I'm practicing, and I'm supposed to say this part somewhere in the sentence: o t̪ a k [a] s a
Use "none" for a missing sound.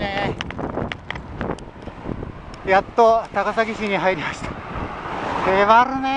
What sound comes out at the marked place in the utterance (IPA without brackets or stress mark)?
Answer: a